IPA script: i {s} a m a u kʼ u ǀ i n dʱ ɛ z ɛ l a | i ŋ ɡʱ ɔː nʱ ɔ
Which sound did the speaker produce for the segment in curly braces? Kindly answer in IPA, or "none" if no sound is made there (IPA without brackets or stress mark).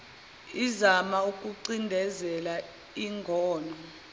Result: z